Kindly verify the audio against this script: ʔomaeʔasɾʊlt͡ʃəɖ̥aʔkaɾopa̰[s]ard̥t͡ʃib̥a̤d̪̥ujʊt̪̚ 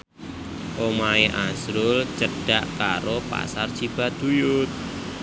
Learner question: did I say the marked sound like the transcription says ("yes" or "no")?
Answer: yes